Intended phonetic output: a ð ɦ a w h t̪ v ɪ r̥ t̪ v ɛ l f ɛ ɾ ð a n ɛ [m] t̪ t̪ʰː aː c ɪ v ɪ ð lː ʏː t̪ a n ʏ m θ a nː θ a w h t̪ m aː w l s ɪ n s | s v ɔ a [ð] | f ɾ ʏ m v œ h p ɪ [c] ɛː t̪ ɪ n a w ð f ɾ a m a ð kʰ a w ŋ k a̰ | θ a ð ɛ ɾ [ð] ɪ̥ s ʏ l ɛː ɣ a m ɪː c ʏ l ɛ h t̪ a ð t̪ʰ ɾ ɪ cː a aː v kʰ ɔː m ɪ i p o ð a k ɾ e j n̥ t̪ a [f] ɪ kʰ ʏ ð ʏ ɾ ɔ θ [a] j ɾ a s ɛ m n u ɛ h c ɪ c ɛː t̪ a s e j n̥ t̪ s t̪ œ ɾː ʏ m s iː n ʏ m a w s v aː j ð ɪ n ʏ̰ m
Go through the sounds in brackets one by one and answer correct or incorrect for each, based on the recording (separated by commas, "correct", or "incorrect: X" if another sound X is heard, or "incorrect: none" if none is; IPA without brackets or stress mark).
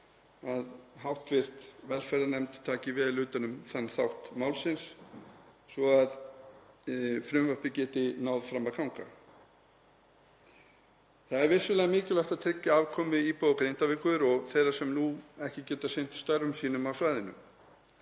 correct, correct, correct, incorrect: v, incorrect: v, incorrect: e